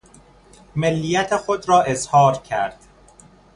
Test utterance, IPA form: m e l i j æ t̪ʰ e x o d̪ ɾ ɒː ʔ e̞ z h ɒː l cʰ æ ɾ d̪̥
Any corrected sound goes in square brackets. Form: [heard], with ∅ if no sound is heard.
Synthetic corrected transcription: m e [lː] i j æ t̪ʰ e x o d̪ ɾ ɒː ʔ e̞ z h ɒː [ɾ] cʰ æ ɾ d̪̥